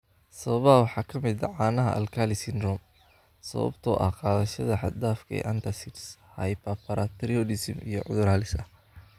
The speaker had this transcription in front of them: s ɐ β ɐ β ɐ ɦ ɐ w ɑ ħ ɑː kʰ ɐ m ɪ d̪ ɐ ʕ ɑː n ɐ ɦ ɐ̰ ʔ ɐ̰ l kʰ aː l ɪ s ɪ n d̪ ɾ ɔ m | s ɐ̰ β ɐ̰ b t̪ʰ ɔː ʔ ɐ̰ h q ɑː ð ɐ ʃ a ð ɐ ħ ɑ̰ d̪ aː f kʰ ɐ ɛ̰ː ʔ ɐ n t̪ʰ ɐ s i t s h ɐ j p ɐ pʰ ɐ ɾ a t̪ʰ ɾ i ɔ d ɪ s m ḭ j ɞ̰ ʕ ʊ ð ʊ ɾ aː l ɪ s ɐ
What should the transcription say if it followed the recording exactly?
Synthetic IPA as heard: s ɐ β ɐ β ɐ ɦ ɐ w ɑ ħ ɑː kʰ ɐ m ɪ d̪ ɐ ʕ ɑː n ɐ ɦ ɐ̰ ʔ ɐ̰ l kʰ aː l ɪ s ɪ n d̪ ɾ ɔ m | s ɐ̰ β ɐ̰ b t̪ʰ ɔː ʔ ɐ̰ h q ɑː ð ɐ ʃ ɐ ð ɐ ħ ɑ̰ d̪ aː f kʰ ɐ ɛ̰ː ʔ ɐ n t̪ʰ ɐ s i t s h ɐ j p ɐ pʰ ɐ ɾ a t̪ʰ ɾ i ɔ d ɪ s m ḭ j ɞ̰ ʕ ʊ ð ʊ ɾ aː l ɪ s ɐ